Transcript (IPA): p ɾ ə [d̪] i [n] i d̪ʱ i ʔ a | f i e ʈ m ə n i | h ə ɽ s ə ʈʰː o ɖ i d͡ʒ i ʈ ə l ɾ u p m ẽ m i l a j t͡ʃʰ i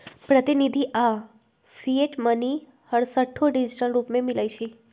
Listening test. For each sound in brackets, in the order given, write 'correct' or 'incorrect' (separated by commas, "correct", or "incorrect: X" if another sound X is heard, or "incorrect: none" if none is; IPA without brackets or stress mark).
incorrect: t̪, correct